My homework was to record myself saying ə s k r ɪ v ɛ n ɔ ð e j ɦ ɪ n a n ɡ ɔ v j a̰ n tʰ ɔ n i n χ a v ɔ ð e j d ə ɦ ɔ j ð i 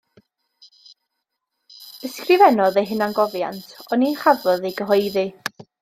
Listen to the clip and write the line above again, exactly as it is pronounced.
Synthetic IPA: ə s k r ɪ v ɛ n ɔ ð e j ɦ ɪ n a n ɡ ɔ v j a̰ n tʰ ɔ n i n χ a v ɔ ð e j ɡ ə ɦ ɔ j ð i